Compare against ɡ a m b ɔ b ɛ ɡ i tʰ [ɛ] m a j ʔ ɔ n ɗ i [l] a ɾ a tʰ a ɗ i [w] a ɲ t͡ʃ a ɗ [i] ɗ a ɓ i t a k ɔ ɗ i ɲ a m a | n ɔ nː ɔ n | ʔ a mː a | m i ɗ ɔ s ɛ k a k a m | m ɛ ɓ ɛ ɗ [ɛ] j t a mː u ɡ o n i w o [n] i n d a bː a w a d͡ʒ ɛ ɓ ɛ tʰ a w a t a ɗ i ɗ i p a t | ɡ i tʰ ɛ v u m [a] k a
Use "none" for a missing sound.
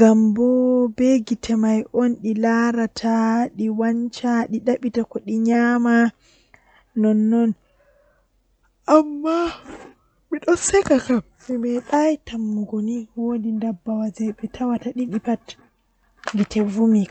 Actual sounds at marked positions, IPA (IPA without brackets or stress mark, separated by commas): ɛ, l, w, i, a, d, i